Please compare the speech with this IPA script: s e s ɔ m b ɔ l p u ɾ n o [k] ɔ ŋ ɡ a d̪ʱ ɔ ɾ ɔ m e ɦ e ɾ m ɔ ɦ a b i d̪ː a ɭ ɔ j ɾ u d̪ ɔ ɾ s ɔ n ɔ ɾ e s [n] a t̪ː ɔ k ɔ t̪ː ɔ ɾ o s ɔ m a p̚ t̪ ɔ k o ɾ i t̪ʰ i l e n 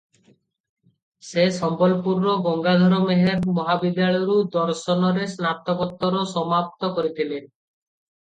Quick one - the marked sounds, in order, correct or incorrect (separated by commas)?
incorrect, correct